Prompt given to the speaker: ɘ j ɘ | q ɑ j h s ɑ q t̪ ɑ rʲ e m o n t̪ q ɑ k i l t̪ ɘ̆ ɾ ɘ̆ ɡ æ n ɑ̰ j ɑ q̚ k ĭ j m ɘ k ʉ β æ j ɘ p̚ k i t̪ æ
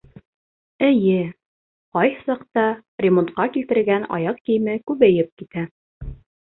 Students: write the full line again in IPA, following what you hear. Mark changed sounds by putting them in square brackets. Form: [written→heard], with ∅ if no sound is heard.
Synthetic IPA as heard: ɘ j ɘ | q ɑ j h s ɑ q t̪ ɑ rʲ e m o n t̪ q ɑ k i l t̪ ɘ̆ ɾ ɘ̆ ɡ æ n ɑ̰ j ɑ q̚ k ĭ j m ɘ k ʉ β æ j ɘ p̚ k i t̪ æ